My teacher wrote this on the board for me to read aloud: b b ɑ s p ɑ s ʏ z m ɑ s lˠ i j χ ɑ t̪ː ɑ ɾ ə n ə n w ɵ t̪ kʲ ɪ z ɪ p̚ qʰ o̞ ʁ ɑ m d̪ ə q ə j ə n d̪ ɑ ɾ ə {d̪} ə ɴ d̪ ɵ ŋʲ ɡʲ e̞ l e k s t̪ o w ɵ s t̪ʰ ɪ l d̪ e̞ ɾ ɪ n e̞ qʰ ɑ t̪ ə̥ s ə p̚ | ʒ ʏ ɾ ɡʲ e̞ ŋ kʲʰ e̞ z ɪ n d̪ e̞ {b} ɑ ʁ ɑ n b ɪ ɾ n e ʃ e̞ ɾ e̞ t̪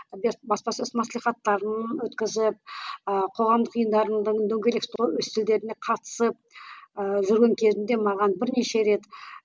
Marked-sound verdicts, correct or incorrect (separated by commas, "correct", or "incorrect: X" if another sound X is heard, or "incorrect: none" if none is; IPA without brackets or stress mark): correct, incorrect: m